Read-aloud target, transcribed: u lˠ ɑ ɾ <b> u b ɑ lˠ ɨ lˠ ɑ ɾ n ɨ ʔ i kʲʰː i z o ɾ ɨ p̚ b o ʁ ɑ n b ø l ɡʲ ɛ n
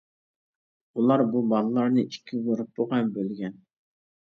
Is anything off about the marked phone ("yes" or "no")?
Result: no